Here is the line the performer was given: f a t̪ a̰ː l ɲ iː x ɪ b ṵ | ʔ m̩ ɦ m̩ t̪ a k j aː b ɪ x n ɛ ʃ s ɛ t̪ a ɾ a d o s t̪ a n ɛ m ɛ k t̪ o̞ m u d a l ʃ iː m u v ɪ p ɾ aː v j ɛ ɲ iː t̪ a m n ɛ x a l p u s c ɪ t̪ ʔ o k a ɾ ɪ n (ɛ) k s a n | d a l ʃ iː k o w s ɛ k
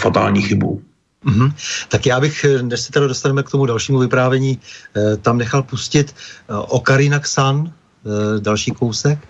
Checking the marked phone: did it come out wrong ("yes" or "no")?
yes